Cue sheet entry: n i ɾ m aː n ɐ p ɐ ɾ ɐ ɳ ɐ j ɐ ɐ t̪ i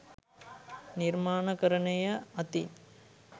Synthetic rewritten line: n i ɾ m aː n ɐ k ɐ ɾ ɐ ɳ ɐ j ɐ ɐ t̪ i

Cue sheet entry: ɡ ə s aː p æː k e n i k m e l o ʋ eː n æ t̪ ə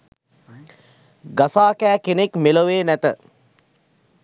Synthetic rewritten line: ɡ a s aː k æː k e n e k m e l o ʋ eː n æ t̪ ə

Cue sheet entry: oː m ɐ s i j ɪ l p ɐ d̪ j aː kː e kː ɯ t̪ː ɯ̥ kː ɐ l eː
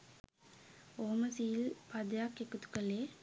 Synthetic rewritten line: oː m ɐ s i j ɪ l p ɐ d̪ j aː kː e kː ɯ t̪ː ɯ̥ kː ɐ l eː

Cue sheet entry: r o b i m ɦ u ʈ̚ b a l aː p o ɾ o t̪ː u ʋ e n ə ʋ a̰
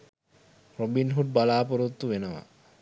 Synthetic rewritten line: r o b i n ɦ u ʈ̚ b a l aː p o ɾ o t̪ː u ʋ e n ə ʋ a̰

